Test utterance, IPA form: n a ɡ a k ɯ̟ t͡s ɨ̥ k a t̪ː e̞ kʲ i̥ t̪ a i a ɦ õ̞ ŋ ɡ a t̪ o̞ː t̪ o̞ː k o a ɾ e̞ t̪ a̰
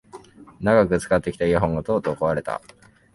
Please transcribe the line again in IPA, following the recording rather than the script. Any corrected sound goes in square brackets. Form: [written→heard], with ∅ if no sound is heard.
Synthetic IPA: n a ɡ a k ɯ̟ t͡s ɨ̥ k a t̪ː e̞ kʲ i̥ t̪ a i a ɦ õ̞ ŋ ɡ a t̪ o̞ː t̪ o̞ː k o a ɾ e̞ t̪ a̰

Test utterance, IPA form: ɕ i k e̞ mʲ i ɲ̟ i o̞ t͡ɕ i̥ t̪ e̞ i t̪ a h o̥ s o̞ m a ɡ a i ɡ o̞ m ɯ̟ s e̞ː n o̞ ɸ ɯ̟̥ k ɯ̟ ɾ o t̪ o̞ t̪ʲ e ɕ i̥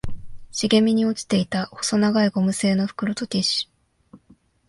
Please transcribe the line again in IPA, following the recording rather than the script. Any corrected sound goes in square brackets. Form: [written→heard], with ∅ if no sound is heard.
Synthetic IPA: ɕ i [k→ɡ] e̞ mʲ i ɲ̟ i o̞ t͡ɕ i̥ t̪ e̞ i t̪ a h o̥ s o̞ [m→n] a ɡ a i ɡ o̞ m ɯ̟ s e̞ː n o̞ ɸ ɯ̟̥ k ɯ̟ ɾ o t̪ o̞ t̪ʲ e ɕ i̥

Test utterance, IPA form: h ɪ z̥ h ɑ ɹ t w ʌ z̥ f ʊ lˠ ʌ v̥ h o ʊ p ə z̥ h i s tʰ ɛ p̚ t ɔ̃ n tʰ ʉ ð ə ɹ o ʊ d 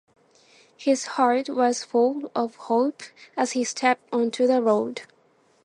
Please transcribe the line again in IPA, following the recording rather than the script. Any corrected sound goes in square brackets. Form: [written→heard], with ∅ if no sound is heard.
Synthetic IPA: h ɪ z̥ h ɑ ɹ t w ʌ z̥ f ʊ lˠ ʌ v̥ h o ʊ p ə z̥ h i s tʰ ɛ p̚ t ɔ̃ n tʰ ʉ ð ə ɹ o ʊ d

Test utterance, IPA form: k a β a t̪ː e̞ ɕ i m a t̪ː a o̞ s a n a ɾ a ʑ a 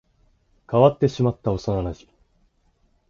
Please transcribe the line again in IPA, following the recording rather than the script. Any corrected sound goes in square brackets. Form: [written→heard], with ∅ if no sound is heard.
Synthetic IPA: k a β a t̪ː e̞ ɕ i m a t̪ː a o̞ s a n a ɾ a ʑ [a→i]

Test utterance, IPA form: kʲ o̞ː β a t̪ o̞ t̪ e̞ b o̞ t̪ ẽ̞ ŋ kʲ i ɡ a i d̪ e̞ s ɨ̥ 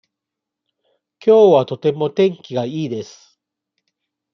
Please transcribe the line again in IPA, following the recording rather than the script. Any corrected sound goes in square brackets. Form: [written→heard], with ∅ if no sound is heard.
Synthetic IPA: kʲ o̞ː β a t̪ o̞ t̪ e̞ [b→m] o̞ t̪ ẽ̞ ŋ kʲ i ɡ a [i→iː] d̪ e̞ s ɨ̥

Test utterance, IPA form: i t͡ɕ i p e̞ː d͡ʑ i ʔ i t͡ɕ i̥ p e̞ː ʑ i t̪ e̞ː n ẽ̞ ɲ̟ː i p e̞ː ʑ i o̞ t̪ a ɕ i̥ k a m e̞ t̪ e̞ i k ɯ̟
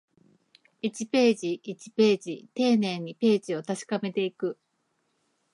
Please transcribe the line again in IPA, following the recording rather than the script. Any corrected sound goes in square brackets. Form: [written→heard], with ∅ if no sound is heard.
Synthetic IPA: i t͡ɕ i p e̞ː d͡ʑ i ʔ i t͡ɕ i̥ p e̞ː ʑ i t̪ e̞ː n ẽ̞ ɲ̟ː i p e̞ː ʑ i o̞ t̪ a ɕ i̥ k a m e̞ t̪ e̞ i k ɯ̟

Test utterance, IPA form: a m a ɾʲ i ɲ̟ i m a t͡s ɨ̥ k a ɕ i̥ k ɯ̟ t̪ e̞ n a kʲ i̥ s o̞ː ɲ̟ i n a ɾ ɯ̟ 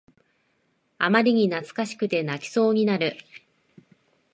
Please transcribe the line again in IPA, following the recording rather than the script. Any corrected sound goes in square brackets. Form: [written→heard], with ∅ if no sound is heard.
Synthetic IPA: a m a ɾʲ i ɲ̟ i [m→n] a t͡s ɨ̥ k a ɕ i̥ k ɯ̟ t̪ e̞ n a kʲ i̥ s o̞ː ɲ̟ i n a ɾ ɯ̟

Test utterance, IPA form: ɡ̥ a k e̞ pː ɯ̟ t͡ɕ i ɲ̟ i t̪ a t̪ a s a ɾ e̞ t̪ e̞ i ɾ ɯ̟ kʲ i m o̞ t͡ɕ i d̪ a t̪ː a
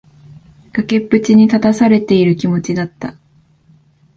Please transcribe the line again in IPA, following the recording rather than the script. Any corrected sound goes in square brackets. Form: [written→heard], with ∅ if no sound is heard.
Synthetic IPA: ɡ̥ a k e̞ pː ɯ̟ t͡ɕ i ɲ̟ i t̪ a t̪ a s a ɾ e̞ t̪ e̞ i ɾ ɯ̟ kʲ i m o̞ t͡ɕ i d̪ a t̪ː a

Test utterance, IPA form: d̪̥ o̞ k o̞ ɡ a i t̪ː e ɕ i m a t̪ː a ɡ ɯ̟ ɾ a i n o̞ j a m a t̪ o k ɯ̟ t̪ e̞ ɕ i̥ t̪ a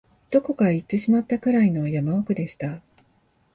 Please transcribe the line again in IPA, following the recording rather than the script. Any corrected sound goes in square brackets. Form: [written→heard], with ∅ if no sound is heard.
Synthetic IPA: d̪̥ o̞ k o̞ [ɡ→k] a i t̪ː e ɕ i m a t̪ː a [ɡ→k] ɯ̟ ɾ a i n o̞ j a m a [t̪→∅] o k ɯ̟ [t̪→d̪] e̞ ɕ i̥ t̪ a

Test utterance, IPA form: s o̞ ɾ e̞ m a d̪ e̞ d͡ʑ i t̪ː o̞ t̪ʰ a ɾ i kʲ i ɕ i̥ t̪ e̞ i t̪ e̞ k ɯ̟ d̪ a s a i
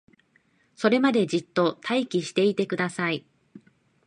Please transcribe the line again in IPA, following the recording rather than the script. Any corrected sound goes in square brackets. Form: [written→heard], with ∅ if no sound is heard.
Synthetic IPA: s o̞ ɾ e̞ m a d̪ e̞ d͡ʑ i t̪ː o̞ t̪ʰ a [ɾ→∅] i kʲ i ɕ i̥ t̪ e̞ i t̪ e̞ k ɯ̟ d̪ a s a i

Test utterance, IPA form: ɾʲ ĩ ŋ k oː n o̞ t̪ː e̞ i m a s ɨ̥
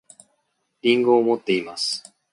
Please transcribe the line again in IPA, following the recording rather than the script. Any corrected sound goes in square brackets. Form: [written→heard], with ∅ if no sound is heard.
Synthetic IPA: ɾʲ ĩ ŋ [k→ɡ] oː [n→m] o̞ t̪ː e̞ i m a s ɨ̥

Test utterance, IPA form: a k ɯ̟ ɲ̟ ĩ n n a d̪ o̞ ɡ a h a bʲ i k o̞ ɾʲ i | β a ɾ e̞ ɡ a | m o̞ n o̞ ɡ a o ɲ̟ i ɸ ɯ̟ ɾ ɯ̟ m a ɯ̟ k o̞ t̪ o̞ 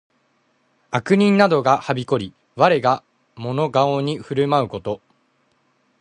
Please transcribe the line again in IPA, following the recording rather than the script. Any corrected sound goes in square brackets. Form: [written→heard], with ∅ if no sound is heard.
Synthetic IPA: a k ɯ̟ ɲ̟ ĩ n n a d̪ o̞ ɡ a h a bʲ i k o̞ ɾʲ i | β a ɾ e̞ ɡ a | m o̞ n o̞ ɡ a o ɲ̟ i ɸ ɯ̟ ɾ ɯ̟ m a ɯ̟ k o̞ t̪ o̞

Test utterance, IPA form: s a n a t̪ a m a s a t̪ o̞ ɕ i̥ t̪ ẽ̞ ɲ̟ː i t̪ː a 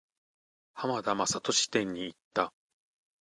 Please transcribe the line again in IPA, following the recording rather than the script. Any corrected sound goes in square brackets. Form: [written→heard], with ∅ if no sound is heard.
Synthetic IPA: [s→h] a [n→m] a [t̪→d̪] a m a s a t̪ o̞ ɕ i̥ t̪ ẽ̞ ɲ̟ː [i→iː] t̪ː a

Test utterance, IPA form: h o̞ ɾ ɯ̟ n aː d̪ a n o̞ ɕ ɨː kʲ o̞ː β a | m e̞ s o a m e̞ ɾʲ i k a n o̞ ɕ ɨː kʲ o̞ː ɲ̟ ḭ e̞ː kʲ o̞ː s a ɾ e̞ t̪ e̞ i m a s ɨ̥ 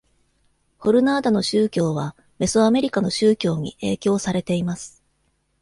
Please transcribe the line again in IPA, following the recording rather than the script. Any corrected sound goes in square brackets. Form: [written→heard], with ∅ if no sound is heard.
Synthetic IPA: h o̞ ɾ ɯ̟ n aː d̪ a n o̞ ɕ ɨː kʲ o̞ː β a | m e̞ s o a m e̞ ɾʲ i k a n o̞ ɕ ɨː kʲ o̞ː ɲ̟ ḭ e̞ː kʲ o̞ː s a ɾ e̞ t̪ e̞ i m a s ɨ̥

